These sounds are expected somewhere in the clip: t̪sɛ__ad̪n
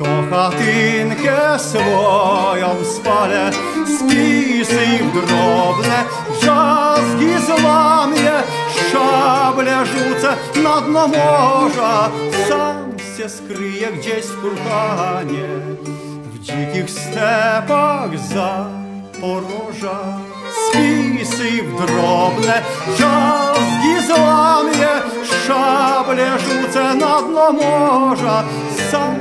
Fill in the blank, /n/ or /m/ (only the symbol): n